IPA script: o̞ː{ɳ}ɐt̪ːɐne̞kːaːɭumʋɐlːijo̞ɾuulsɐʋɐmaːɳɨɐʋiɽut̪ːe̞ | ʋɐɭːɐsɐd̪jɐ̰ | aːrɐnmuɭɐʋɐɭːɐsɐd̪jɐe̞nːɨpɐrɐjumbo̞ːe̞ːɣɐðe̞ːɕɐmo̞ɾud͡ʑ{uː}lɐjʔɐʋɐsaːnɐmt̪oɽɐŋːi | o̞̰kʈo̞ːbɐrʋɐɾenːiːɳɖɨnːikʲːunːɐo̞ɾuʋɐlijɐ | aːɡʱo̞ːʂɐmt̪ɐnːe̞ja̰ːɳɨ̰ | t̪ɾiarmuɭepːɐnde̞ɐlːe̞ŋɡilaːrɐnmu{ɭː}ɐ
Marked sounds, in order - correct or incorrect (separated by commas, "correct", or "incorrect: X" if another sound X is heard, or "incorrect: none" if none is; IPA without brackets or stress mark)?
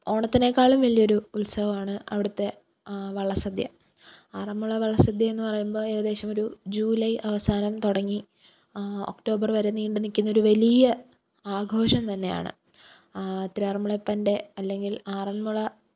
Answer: correct, correct, incorrect: ɭ